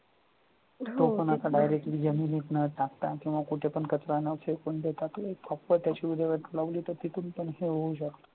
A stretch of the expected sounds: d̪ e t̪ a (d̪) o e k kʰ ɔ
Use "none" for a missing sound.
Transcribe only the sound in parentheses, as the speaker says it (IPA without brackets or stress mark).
t̪